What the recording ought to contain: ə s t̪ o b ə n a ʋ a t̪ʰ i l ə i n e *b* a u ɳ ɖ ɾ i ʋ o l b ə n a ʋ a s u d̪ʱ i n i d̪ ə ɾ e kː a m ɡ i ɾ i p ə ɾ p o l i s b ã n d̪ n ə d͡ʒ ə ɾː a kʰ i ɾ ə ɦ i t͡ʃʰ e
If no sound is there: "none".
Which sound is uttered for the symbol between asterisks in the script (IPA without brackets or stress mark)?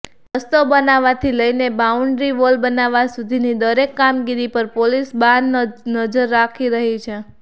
b